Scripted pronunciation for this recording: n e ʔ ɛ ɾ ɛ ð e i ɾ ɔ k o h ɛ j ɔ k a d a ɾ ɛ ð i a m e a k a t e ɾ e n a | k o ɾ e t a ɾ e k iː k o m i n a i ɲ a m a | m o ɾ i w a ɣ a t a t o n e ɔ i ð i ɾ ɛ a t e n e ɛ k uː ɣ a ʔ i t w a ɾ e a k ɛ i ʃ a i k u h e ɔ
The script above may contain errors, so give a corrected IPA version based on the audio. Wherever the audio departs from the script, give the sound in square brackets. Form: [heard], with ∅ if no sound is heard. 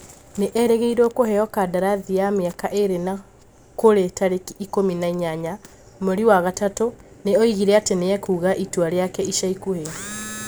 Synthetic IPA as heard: n e ʔ ɛ ɾ ɛ [ɣ] e i ɾ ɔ k o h ɛ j ɔ k a d a ɾ [a] ð i a m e a k a [ʔ] e ɾ e n a | k o ɾ e t a ɾ e k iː k o m i n a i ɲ a [ɲ] a | m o ɾ i w a ɣ a t a t o n e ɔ i [ɣ] i ɾ ɛ a t e n e ɛ k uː ɣ a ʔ i t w a ɾ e a k ɛ i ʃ a i k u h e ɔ